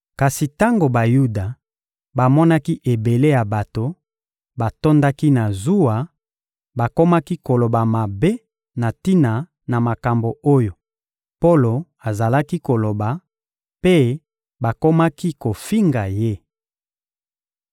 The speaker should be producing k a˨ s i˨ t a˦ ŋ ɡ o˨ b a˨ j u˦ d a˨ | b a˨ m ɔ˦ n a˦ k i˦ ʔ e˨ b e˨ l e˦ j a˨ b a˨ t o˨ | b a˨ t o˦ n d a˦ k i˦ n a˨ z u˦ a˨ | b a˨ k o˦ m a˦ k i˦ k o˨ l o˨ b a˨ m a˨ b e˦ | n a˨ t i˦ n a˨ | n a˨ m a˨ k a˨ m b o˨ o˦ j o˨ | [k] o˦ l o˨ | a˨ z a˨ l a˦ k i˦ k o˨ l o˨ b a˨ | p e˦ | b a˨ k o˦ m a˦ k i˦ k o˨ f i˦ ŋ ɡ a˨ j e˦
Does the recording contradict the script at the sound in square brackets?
yes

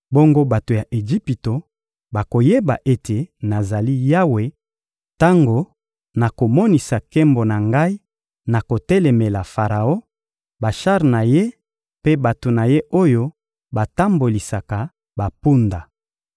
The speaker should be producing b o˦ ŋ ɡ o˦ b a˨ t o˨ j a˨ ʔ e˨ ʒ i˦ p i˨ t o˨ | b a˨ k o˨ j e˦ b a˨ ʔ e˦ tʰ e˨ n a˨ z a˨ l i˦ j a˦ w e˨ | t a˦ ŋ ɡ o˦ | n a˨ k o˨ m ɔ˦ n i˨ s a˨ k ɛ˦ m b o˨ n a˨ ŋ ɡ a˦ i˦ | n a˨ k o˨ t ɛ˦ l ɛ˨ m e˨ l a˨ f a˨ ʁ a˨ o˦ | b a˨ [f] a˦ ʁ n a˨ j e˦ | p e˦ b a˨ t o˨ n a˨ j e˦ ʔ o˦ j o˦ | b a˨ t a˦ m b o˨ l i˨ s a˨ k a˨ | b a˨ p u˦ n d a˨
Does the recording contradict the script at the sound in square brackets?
yes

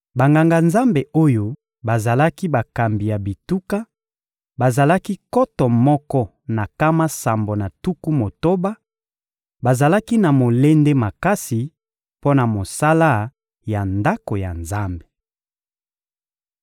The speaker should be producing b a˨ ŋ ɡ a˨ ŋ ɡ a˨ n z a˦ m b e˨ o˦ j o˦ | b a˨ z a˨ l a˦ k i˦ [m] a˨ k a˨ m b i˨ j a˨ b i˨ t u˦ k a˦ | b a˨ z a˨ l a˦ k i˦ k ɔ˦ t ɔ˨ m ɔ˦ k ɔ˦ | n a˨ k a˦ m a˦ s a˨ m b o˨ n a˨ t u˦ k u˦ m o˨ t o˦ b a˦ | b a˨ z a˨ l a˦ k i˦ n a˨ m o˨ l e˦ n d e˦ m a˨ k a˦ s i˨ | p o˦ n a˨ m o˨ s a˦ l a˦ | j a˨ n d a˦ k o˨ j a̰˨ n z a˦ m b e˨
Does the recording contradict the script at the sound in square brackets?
yes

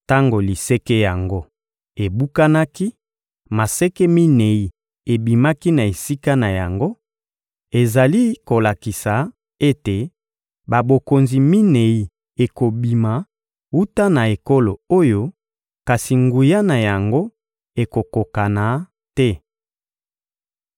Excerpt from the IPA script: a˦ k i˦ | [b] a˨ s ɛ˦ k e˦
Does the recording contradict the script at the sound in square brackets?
yes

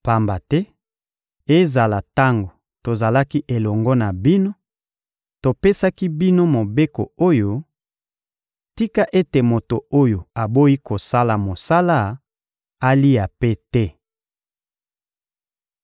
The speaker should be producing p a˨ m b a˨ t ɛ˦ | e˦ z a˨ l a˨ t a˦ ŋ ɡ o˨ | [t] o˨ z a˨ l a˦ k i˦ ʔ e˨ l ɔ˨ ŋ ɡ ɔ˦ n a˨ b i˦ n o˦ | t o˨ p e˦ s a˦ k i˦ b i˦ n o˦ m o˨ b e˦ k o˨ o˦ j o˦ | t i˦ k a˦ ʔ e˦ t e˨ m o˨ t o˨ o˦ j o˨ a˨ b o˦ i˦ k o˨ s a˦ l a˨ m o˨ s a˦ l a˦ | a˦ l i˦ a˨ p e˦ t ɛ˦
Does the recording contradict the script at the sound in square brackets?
no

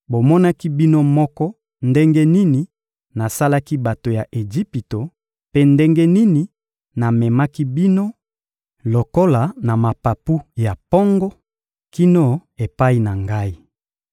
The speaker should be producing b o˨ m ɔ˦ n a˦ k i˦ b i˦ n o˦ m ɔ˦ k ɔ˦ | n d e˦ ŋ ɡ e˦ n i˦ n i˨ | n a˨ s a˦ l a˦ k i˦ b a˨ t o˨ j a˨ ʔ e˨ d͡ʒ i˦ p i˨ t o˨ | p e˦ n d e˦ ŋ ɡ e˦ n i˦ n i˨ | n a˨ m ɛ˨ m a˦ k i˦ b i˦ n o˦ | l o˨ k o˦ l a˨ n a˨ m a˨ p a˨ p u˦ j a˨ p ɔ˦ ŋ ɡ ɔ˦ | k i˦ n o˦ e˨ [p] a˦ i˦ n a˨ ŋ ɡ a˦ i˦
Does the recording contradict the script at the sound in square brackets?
no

